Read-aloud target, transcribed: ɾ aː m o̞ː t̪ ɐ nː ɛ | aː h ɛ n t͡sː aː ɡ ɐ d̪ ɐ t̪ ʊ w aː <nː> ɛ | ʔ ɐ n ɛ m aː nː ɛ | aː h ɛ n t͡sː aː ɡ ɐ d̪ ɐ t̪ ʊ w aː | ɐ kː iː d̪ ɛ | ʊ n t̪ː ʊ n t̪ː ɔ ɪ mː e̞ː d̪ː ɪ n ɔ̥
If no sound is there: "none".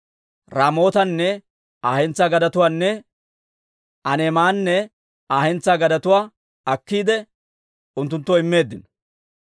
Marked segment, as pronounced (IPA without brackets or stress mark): nː